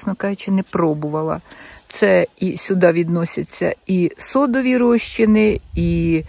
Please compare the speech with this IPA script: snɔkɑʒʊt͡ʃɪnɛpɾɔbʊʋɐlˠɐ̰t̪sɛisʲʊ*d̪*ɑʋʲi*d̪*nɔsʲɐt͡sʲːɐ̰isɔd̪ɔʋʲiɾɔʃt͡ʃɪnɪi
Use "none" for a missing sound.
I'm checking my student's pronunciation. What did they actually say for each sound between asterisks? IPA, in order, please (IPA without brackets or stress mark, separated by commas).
d̪, d̪